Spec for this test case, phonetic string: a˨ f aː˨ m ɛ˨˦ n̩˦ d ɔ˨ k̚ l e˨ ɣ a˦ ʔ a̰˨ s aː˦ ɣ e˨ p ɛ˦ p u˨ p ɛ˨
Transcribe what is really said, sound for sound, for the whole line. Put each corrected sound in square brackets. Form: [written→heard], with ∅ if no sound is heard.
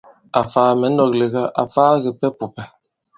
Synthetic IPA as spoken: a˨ f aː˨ m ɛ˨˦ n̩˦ d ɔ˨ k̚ l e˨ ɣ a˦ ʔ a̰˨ [s→f] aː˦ ɣ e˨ p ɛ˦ p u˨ p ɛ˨